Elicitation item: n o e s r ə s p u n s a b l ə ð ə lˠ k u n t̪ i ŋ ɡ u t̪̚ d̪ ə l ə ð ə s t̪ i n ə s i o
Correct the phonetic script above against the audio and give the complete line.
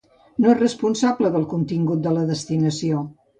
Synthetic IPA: n o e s r ə s p u n s a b l ə ð ə lˠ k u n t̪ i ŋ ɡ u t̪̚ d̪ ə l ə ð ə s t̪ i n ə s i o

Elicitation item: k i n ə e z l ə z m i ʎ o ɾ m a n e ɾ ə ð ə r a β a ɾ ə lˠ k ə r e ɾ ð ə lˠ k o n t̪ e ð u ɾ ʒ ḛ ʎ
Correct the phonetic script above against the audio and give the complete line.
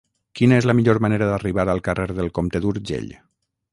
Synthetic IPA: k i n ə e z l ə m i ʎ o ɾ m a n e ɾ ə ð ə r i β a ɾ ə lˠ k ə r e ɾ ð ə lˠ k o m t̪ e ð u ɾ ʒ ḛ ʎ

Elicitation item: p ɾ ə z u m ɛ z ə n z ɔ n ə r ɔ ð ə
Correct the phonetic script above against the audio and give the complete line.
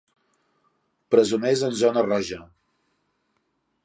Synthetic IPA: p ɾ ə z u n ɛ z ə n z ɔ n ə r ɔ ʒ ə

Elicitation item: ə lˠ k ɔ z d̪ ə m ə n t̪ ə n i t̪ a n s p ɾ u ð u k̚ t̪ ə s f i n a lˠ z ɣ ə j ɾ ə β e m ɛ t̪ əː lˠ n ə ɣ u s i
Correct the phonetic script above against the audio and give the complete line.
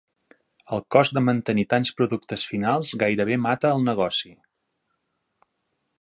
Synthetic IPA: ə lˠ k ɔ z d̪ ə m ə n t̪ ə n i t̪ a n s p ɾ u ð u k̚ t̪ ə s f i n a lˠ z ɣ a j ɾ ə β e m a t̪ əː lˠ n ə ɣ ɔ s i

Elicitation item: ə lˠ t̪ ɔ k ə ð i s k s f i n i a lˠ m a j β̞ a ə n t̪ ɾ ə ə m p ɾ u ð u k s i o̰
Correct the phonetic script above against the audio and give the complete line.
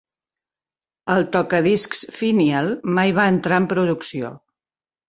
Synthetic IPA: ə lˠ t̪ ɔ k ə ð i s k s f i n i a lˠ m a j β̞ a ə n t̪ ɾ a ə m p ɾ u ð u k s i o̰

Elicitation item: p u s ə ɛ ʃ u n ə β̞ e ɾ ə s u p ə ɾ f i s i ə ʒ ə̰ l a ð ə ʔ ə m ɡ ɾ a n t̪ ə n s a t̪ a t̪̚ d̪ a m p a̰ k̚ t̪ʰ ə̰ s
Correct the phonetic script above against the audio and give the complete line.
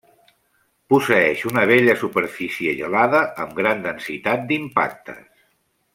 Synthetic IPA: p u s ə ɛ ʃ u n ə β̞ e ʎ ə s u p ə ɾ f i s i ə ʒ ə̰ l a ð ə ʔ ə m ɡ ɾ a n d̪ ə n s i t̪ a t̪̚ d̪ i m p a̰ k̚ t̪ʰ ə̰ s

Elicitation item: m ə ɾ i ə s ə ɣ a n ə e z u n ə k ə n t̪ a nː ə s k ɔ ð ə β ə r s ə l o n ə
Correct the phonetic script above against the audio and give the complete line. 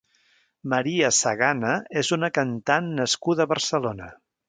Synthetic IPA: m ə ɾ i ə s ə ɣ a n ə e z u n ə k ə n t̪ a nː ə s k u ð ə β ə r s ə l o n ə

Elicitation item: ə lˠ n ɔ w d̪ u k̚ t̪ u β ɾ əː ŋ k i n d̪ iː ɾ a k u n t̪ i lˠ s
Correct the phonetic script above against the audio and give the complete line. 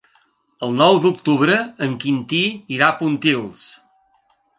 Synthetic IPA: ə lˠ n ɔ w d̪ u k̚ t̪ u β ɾ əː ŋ k i n t̪ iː ɾ a p u n t̪ i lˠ s

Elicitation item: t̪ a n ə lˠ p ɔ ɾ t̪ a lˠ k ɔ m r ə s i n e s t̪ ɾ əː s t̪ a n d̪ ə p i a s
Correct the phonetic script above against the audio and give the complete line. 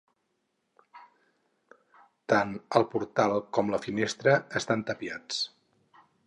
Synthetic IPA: t̪ a n ə lˠ p u ɾ t̪ a lˠ k ɔ m l ə f i n e s t̪ ɾ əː s t̪ a n t̪ ə p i a t͡s

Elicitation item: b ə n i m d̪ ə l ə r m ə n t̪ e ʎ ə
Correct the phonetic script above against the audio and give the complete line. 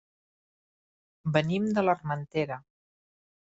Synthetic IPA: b ə n i m d̪ ə l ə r m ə n t̪ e ɾ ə

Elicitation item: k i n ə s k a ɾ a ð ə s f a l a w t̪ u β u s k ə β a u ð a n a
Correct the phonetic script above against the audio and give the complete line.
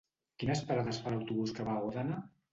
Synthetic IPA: k i n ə s p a ɾ a ð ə s f a l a w t̪ u β u s k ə β a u ð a n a

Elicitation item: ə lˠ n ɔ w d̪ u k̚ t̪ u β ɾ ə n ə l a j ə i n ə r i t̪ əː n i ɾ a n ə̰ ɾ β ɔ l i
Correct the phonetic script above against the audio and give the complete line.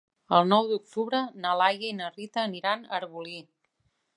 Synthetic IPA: ə lˠ n ɔ w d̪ u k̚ t̪ u β ɾ ə n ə l a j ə i n ə r i t̪ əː n i ɾ a n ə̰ ɾ β u l i

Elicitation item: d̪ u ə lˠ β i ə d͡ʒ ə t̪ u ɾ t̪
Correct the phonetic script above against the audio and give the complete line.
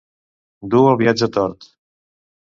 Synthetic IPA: d̪ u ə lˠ β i a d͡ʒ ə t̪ ɔ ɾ t̪

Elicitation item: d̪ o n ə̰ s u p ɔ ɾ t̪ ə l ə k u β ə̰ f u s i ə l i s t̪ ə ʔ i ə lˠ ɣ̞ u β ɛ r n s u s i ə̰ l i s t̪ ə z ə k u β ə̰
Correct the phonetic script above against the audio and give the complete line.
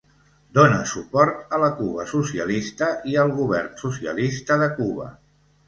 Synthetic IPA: d̪ o n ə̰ s u p ɔ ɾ t̪ ə l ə k u β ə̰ s u s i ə l i s t̪ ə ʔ i ə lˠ ɣ̞ u β ɛ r n s u s i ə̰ l i s t̪ ə ð ə k u β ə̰

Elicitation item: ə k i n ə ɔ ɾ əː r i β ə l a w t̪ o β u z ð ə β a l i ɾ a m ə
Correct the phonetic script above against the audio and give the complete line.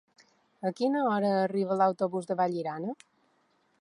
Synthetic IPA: ə k i n ə ɔ ɾ əː r i β ə l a w t̪ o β u z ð ə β a ʎ i ɾ a n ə

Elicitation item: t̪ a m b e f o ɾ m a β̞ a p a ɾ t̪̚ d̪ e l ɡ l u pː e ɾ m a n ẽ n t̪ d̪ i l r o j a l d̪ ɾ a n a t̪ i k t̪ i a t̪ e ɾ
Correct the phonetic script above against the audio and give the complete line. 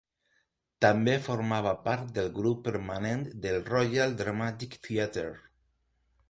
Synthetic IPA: t̪ a m b e f o ɾ m a β̞ a p a ɾ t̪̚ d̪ e l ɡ ɾ u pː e ɾ m a n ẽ n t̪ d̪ e l r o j a l d̪ ɾ a m a t̪ i k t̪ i a t̪ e ɾ

